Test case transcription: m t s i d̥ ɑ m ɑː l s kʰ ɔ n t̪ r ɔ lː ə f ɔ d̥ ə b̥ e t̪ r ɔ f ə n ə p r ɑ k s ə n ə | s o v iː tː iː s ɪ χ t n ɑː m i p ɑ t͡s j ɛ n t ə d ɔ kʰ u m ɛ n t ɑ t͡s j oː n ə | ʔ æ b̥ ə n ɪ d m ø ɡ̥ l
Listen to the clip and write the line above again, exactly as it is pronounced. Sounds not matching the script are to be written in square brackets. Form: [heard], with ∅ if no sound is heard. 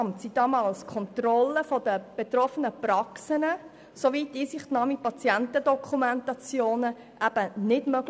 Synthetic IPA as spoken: m t s i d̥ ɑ m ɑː l s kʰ ɔ n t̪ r ɔ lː ə f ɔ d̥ ə b̥ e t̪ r ɔ f ə n ə p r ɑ k s ə n ə | s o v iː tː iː s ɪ χ t n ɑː m i p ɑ t͡s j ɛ n t ə d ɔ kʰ u m ɛ n t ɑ t͡s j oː n ə | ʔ æ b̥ ə n ɪ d m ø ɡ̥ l